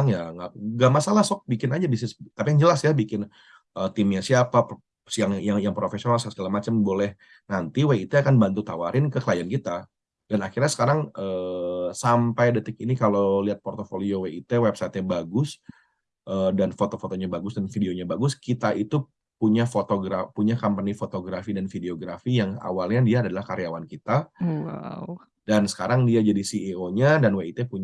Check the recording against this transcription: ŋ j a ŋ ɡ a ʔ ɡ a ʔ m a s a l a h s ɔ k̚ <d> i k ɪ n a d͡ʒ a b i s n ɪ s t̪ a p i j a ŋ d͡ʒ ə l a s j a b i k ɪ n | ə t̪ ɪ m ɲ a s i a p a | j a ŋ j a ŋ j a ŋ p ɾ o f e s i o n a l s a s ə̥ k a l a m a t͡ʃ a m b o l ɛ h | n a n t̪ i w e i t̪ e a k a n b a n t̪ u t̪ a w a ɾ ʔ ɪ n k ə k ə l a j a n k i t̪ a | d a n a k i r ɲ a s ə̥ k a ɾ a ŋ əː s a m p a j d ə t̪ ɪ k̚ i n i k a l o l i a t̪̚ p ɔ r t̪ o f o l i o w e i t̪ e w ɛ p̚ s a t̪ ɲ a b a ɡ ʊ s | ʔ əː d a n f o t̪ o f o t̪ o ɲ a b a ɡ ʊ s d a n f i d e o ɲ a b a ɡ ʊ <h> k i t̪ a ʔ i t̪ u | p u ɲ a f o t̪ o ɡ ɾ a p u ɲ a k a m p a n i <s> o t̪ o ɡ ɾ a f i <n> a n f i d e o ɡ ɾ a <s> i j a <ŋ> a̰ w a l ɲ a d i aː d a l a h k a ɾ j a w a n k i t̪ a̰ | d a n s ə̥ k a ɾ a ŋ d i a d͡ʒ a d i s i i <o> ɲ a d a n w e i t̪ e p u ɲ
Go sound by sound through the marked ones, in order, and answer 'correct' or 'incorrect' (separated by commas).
incorrect, incorrect, incorrect, incorrect, incorrect, correct, correct